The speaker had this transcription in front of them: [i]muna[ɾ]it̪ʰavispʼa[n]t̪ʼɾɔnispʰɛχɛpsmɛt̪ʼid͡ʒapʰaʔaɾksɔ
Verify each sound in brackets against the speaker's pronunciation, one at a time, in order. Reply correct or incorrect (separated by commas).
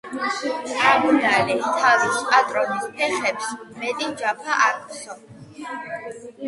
incorrect, incorrect, incorrect